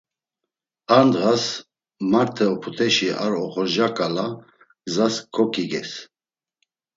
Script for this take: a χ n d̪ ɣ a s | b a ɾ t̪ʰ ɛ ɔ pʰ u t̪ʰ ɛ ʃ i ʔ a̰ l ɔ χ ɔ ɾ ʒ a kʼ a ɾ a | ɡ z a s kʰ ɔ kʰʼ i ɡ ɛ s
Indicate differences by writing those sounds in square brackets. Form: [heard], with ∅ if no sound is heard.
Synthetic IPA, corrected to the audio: a [∅] n d̪ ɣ a s | [m] a ɾ t̪ʰ ɛ ɔ pʰ u t̪ʰ ɛ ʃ i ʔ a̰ [ɾ] ɔ χ ɔ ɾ ʒ a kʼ a [l] a | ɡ z a s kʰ ɔ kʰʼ i ɡ ɛ s

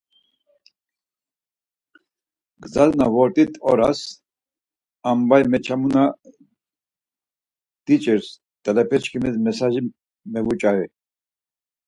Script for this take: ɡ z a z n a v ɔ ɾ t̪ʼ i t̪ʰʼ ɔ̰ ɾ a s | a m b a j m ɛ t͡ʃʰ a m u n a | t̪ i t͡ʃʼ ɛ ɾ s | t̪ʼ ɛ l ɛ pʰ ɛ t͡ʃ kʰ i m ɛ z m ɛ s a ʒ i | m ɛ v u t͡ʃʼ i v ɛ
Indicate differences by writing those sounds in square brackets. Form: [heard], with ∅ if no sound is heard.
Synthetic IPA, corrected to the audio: ɡ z a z n a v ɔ ɾ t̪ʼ i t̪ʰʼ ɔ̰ ɾ a s | a m b a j m ɛ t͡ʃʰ a m u n a | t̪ i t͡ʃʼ ɛ ɾ s | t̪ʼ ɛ l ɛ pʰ ɛ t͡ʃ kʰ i m ɛ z m ɛ s a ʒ i | m ɛ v u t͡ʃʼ [a] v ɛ

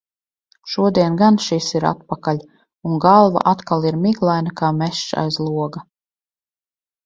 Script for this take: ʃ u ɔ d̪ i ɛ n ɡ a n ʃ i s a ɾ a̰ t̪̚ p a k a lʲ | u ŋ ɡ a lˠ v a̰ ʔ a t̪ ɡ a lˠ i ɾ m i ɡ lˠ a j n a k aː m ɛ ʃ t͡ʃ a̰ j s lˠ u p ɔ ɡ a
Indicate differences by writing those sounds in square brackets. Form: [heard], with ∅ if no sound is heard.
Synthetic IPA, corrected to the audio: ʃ u ɔ d̪ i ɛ n ɡ a n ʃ i s [i] ɾ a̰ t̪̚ p a k a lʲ | u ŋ ɡ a lˠ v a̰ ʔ a t̪ [k] a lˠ i ɾ m i ɡ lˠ a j n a k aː m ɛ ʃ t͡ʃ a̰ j [z] lˠ u [∅] ɔ ɡ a

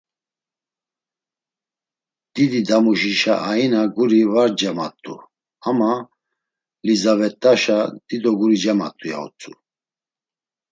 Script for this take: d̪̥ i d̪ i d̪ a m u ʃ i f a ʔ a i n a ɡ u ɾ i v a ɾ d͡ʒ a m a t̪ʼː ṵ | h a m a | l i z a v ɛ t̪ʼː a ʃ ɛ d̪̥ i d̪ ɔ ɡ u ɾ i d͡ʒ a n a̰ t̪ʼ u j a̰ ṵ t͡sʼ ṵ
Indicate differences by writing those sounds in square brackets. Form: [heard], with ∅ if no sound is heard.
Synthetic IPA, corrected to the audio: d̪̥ i d̪ i d̪ a m u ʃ i [ʃ] a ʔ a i n a ɡ u ɾ i v a ɾ d͡ʒ a m a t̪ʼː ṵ | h a m a | l i z a v ɛ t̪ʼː a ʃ [a] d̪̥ i d̪ ɔ ɡ u ɾ i d͡ʒ a [m] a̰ t̪ʼ u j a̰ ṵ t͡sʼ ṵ

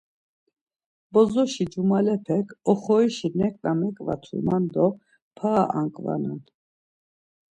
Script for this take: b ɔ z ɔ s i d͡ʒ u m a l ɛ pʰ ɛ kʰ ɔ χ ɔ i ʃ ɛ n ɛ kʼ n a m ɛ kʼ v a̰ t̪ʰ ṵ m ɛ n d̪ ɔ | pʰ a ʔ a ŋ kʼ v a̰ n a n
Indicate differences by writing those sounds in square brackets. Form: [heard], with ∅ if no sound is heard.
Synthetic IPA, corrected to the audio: b ɔ z ɔ [ʃ] i d͡ʒ u m a l ɛ pʰ ɛ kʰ ɔ χ ɔ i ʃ [i] n ɛ kʼ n a m ɛ kʼ v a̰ t̪ʰ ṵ m [a] n d̪ ɔ | pʰ a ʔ a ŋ kʼ v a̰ n a n

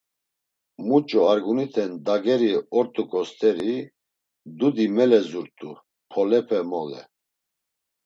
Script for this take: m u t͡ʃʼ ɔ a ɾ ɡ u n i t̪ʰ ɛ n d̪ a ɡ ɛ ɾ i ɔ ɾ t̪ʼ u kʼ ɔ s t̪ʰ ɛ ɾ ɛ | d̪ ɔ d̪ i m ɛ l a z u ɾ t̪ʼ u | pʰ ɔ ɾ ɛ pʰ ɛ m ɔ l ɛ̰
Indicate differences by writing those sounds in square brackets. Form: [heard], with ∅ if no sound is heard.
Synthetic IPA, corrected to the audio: m u t͡ʃʼ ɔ a ɾ ɡ u n i t̪ʰ ɛ n d̪ a ɡ ɛ ɾ i ɔ ɾ t̪ʼ u kʼ ɔ s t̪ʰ ɛ ɾ [i] | d̪ [u] d̪ i m ɛ l [ɛ] z u ɾ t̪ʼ u | pʰ ɔ [l] ɛ pʰ ɛ m ɔ l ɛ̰

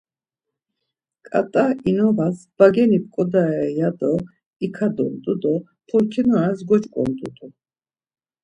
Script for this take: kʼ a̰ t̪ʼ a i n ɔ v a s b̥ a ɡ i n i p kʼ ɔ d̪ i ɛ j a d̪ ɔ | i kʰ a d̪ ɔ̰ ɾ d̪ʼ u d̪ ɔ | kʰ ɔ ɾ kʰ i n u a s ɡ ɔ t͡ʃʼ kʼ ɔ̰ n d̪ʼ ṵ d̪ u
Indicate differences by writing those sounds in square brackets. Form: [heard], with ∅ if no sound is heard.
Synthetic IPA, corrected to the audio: kʼ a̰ t̪ʼ a i n ɔ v a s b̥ a ɡ [ɛ] n i p kʼ ɔ d̪ [a] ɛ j a d̪ ɔ | i kʰ a d̪ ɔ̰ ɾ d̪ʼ u d̪ ɔ | [pʰ] ɔ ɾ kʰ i n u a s ɡ ɔ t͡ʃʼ kʼ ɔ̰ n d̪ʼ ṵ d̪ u

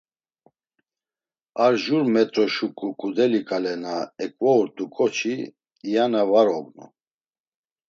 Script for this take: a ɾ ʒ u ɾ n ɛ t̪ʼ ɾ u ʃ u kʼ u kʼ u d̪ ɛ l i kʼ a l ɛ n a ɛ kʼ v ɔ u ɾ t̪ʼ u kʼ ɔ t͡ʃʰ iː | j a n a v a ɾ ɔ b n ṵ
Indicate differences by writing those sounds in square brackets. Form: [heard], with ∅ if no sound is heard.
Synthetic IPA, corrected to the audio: a ɾ ʒ u ɾ [m] ɛ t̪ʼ ɾ [ɔ] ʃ u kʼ u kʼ u d̪ ɛ l i kʼ a l ɛ n a ɛ kʼ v ɔ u ɾ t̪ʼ u kʼ ɔ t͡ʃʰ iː | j a n a v a ɾ ɔ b n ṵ

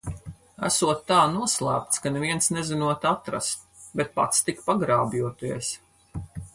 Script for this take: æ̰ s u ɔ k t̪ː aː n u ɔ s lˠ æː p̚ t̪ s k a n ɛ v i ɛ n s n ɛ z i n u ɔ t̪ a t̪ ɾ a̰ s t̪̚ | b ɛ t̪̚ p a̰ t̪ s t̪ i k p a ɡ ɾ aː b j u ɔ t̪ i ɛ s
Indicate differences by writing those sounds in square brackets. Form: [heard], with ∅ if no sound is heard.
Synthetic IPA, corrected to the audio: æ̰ s u ɔ [∅] t̪ː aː n u ɔ s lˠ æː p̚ t̪ s k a n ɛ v i ɛ n s n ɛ z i n u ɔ t̪ a t̪ ɾ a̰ s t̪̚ | b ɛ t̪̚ p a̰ t̪ s t̪ i k p a ɡ ɾ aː b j u ɔ t̪ i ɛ s

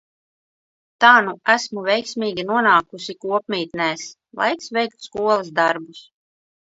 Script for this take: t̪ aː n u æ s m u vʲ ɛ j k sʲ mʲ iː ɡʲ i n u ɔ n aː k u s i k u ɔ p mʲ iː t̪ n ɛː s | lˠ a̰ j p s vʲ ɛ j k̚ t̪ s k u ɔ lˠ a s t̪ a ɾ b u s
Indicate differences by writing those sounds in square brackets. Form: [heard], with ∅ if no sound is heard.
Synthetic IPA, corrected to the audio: t̪ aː n u æ s m u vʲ ɛ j k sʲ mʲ iː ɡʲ i n u ɔ n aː k u s i k u ɔ p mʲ iː t̪ n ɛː s | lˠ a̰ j [k] s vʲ ɛ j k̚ t̪ s k u ɔ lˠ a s [d̪] a ɾ b u s

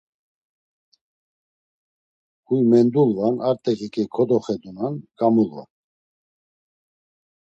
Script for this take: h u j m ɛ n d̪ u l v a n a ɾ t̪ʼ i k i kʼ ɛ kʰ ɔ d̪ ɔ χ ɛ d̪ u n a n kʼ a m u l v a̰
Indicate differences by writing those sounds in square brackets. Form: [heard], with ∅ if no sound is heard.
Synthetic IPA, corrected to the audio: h u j m ɛ n d̪ u l v a n a ɾ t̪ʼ [ɛ] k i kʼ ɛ kʰ ɔ d̪ ɔ χ ɛ d̪ u n a n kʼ a m u l v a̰

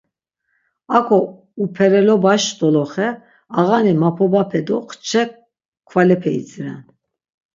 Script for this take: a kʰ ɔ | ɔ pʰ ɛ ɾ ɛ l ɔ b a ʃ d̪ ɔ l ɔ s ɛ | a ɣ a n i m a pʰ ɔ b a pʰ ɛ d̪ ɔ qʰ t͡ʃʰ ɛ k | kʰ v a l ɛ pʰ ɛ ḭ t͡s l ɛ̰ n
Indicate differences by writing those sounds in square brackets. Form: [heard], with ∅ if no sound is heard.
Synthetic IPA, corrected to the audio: a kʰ ɔ | [u] pʰ ɛ ɾ ɛ l ɔ b a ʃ d̪ ɔ l ɔ [χ] ɛ | a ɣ a n i m a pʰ ɔ b a pʰ ɛ d̪ ɔ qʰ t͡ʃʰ ɛ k | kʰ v a l ɛ pʰ ɛ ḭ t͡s [ɾ] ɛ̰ n

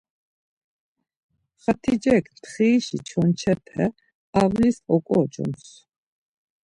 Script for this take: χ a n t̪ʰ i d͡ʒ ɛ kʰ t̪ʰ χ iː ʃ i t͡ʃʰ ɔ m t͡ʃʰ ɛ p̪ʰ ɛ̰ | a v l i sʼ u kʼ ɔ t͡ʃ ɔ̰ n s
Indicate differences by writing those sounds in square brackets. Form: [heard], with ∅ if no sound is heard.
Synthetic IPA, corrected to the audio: χ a [∅] t̪ʰ i d͡ʒ ɛ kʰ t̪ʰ χ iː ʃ i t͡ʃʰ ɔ [n] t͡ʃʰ ɛ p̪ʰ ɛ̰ | a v l i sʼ [ɔ] kʼ ɔ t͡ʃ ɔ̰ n s

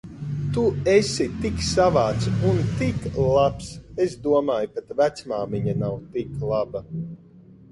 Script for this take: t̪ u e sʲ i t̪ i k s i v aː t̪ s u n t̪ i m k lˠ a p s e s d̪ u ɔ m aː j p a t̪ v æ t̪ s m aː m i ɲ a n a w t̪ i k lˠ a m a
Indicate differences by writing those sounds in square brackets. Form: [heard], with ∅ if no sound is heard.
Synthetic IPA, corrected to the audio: t̪ u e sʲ i t̪ i k s [a] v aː t̪ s u n t̪ i [∅] k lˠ a p s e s d̪ u ɔ m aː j p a t̪ v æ t̪ s m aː m i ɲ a n a w t̪ i k lˠ a [b] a

